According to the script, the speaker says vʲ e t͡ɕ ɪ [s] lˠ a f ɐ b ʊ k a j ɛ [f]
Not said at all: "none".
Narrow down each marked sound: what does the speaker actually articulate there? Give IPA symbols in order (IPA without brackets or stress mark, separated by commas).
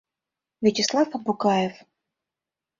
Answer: s, f